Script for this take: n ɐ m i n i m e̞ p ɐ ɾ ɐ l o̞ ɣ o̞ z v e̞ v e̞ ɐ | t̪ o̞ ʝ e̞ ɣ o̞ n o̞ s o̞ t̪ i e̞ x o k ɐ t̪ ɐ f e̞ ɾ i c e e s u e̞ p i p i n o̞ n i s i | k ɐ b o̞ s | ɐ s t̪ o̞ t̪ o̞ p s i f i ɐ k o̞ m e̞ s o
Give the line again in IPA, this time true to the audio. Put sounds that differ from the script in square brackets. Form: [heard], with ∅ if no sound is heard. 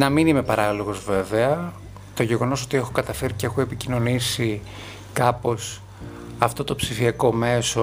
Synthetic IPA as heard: n ɐ m i n i m e̞ p ɐ ɾ ɐ l o̞ ɣ o̞ z v e̞ v e̞ ɐ | t̪ o̞ ʝ e̞ ɣ o̞ n o̞ s o̞ t̪ i e̞ x o k ɐ t̪ ɐ f e̞ ɾ i c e e [x] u e̞ p i [c] i n o̞ n i s i | k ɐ [p] o̞ s | ɐ [f] t̪ o̞ t̪ o̞ p s i f i ɐ k o̞ m e̞ s o